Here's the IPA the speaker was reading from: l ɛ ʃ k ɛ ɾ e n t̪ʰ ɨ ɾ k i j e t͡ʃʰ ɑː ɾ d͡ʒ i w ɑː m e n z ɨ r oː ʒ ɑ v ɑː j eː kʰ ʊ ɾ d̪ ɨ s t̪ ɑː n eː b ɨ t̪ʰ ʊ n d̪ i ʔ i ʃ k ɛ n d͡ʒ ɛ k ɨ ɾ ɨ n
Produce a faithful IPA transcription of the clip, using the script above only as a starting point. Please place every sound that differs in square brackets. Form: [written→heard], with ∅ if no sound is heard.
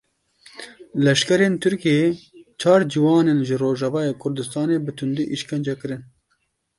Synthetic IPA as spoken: l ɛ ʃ k ɛ ɾ e n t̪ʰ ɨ ɾ k i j e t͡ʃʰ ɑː ɾ d͡ʒ i w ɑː [m→n] e n [z→ʒ] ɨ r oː ʒ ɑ v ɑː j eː kʰ ʊ ɾ d̪ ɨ s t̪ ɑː n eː b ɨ t̪ʰ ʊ n d̪ i ʔ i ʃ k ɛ n d͡ʒ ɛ k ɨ ɾ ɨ n